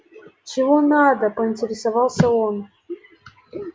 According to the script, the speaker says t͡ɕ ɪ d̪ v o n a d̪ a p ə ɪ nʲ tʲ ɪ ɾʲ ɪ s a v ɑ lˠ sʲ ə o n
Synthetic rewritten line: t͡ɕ ɪ v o n a d̪ ə p ə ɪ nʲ tʲ ɪ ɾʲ ɪ s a v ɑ lˠ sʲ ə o n

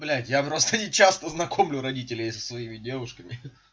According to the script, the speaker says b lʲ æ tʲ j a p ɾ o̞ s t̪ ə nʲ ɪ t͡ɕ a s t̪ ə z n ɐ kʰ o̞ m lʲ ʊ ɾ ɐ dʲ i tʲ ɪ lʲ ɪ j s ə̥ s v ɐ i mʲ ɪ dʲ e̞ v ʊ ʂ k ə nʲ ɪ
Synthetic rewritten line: b lʲ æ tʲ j a p ɾ o̞ s t̪ ə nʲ ɪ t͡ɕ a s t̪ ə z n ɐ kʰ o̞ m lʲ ʊ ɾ ɐ dʲ i tʲ ɪ lʲ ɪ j s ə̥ s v ɐ i mʲ ɪ dʲ e̞ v ʊ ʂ k ə mʲ ɪ

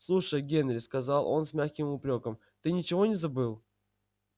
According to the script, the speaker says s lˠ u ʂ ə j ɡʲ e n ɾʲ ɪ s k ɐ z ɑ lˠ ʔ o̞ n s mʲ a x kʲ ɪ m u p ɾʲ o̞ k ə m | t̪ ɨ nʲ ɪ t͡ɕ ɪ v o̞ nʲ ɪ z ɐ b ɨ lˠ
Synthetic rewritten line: s lˠ u ʂ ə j ɡʲ e n ɾʲ ɪ s k ɐ z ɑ lˠ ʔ o̞ n s mʲ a x kʲ ɪ m ʊ p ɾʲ o̞ k ə m | t̪ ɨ nʲ ɪ t͡ɕ ɪ v o̞ nʲ ɪ z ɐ b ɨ lˠ

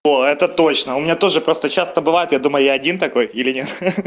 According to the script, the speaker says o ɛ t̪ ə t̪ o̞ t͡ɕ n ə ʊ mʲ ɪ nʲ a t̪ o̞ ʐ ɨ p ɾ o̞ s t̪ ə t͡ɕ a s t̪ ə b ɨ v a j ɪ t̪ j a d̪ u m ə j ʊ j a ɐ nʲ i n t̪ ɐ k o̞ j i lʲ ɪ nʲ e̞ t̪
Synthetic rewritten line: o ɛ t̪ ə t̪ o̞ t͡ɕ n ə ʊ mʲ ɪ nʲ a t̪ o̞ ʐ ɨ p ɾ o̞ s t̪ ə t͡ɕ a s t̪ ə b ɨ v a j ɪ t̪ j a d̪ u m ə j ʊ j a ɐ dʲ i n t̪ ɐ k o̞ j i lʲ ɪ nʲ e̞ t̪

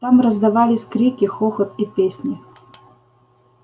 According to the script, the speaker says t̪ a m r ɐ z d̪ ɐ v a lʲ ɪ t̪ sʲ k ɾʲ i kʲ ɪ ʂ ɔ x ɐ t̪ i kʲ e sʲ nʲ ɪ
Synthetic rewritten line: t̪ a m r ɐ z d̪ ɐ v a lʲ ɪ sʲ k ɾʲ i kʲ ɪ x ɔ x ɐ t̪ i pʲ e sʲ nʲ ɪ

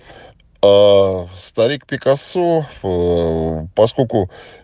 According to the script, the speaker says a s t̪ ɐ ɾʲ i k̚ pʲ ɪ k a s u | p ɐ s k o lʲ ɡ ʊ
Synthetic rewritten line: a s t̪ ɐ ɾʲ i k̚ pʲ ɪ k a s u | p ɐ s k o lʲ k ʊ

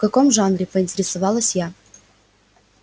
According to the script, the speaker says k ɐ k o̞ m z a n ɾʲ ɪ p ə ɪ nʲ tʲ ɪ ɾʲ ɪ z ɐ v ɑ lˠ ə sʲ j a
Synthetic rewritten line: k ɐ k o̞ m ʐ a n ɾʲ ɪ p ə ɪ nʲ tʲ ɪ ɾʲ ɪ s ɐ v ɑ lˠ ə sʲ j a

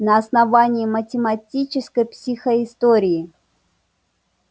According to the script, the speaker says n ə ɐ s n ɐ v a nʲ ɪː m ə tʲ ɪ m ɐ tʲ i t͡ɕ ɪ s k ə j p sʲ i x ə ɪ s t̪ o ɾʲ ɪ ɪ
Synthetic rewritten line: n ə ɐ s n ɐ v a nʲ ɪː m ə tʲ ɪ m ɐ tʲ i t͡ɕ ɪ s k ə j p sʲ i x ə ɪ s t̪ o ɾʲ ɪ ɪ

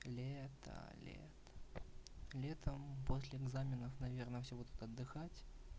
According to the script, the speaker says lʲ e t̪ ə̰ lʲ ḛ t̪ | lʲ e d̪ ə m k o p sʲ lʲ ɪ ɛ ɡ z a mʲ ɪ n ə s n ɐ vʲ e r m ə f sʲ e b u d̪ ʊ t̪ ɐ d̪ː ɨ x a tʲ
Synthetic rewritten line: lʲ e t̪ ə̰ lʲ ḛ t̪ | lʲ e t̪ ə m p o sʲ lʲ ɪ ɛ ɡ z a mʲ ɪ n ə f n ɐ vʲ e r n ə f sʲ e b u d̪ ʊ t̪ ɐ d̪ː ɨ x a tʲ

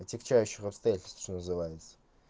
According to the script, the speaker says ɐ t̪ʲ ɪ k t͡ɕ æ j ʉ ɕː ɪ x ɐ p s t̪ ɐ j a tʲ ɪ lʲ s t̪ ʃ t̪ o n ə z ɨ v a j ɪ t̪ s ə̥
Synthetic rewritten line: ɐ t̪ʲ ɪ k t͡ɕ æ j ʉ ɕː ɪ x ɐ p s t̪ ɐ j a tʲ ɪ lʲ s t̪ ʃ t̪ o n ə z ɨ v a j ɪ t̪ s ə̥

